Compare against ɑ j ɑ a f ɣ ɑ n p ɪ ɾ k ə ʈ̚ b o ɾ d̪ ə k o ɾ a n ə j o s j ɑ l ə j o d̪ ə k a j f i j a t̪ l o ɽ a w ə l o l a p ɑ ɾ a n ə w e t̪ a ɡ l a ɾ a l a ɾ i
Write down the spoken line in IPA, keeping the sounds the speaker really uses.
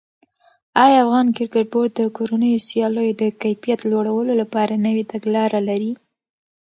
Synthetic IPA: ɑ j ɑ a f ɣ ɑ n k ɪ ɾ k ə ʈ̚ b o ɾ d̪ ə k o ɾ a n ə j o s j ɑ l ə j o d̪ ə k a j f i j a t̪ l o ɽ a w ə l o l a p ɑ ɾ a n ə w e t̪ a ɡ l ɑ ɾ a l a ɾ i